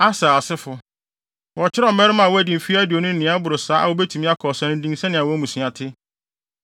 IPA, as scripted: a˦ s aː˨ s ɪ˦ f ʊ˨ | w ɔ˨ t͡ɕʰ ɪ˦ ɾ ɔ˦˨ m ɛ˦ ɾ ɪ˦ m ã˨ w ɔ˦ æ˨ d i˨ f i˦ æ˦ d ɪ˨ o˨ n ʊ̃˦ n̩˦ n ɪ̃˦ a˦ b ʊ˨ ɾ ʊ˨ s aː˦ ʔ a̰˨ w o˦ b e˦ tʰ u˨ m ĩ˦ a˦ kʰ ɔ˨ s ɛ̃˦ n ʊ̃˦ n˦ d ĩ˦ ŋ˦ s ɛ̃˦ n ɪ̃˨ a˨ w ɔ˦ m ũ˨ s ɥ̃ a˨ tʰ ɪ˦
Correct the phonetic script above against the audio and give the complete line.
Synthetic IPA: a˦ s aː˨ s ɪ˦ f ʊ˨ | w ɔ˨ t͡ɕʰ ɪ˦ ɾ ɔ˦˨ m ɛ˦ ɾ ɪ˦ m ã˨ w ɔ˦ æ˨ d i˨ f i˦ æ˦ d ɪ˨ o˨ n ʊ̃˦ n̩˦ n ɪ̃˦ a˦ b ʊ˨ ɾ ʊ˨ s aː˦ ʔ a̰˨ w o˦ b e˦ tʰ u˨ m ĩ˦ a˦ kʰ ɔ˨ s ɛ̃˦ n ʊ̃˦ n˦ d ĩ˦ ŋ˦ s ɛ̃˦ n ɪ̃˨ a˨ w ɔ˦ m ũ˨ s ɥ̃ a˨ tʰ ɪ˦